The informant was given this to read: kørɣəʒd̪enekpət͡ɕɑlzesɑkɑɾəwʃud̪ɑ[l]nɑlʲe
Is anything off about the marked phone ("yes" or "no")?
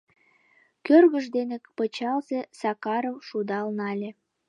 no